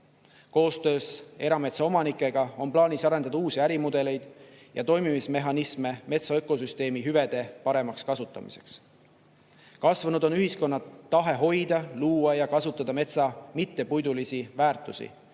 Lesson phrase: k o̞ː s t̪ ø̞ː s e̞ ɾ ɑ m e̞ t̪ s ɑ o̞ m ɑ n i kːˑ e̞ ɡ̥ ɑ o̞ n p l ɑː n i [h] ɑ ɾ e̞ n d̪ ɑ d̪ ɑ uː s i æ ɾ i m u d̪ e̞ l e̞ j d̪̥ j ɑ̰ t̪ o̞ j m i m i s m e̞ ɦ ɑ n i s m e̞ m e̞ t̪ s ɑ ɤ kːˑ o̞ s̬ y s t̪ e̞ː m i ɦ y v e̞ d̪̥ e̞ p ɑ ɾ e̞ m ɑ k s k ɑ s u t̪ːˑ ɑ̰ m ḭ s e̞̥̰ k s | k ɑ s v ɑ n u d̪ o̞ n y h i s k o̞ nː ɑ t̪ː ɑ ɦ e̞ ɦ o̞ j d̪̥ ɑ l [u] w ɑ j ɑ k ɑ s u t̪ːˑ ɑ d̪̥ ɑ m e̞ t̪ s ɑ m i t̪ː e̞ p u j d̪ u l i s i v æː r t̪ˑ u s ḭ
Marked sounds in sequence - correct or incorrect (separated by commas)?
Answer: incorrect, incorrect